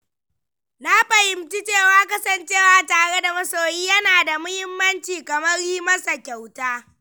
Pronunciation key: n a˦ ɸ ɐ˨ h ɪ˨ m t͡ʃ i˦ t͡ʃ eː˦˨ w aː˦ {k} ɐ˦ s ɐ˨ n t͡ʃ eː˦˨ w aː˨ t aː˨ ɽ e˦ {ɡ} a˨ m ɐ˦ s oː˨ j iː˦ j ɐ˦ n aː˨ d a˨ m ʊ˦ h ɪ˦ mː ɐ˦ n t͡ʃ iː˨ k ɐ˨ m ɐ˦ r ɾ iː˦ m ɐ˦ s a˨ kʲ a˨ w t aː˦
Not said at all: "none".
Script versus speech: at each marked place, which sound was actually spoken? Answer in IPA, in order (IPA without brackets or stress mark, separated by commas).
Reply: k, d